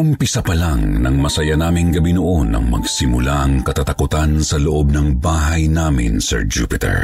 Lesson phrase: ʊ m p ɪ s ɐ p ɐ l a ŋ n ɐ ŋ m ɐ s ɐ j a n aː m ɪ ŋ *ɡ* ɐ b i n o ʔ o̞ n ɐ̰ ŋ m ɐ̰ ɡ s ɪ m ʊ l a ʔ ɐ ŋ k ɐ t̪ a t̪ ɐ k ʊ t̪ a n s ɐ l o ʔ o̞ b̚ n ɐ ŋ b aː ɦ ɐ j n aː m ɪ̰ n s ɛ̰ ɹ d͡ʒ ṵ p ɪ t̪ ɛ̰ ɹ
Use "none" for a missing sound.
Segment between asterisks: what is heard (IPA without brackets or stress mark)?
ɡ